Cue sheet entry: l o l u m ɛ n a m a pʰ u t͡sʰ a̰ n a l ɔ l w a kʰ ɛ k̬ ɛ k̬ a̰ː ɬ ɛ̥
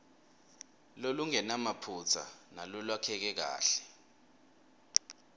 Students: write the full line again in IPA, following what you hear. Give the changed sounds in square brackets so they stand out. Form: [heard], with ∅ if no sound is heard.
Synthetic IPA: l o l u [ŋ] ɛ n a m a pʰ u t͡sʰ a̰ n a l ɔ l w a kʰ ɛ k̬ ɛ k̬ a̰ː ɬ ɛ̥